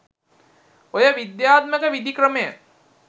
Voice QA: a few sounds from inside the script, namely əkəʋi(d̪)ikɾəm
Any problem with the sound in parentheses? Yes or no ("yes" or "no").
no